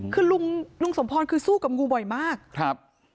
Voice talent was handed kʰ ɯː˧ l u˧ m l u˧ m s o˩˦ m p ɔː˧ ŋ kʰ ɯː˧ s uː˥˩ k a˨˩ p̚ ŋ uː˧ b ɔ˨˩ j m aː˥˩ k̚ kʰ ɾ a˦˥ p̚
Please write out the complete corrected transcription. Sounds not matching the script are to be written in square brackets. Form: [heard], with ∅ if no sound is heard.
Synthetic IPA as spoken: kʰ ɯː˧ l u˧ [ŋ] l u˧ [ŋ] s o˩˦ m [pʰ] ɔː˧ [n] kʰ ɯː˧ s uː˥˩ k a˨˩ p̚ ŋ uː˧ b ɔ˨˩ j m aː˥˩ k̚ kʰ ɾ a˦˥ p̚